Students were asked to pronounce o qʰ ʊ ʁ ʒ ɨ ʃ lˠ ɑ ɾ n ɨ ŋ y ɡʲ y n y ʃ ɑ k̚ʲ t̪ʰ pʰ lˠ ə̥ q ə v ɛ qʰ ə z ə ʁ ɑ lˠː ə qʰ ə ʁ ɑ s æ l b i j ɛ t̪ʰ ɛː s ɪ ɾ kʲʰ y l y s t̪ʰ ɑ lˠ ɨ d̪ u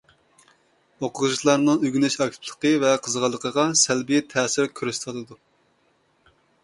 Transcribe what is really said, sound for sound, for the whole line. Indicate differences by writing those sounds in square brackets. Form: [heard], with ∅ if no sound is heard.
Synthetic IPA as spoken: o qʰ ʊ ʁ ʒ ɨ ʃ lˠ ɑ ɾ n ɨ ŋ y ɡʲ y n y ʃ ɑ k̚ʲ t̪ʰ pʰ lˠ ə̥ q ə v ɛ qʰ ə z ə ʁ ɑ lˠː ə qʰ ə ʁ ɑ s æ l b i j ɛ t̪ʰ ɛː s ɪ ɾ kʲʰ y [ɾ] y s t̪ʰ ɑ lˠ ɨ d̪ u